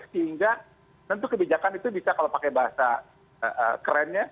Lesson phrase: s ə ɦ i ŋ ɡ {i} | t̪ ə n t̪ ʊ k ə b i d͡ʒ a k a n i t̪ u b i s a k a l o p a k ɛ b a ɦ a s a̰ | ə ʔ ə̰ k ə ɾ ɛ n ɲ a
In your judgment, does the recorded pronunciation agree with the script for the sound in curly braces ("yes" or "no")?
no